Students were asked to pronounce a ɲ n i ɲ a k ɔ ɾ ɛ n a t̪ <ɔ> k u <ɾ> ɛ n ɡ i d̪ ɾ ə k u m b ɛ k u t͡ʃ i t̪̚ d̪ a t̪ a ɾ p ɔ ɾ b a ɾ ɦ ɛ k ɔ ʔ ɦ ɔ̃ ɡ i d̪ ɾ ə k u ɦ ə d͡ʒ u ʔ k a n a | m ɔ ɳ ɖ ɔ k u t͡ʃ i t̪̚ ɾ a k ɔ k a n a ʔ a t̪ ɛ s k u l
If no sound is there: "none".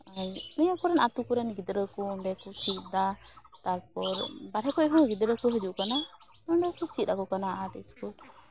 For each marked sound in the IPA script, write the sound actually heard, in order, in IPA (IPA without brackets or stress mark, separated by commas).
u, ɾ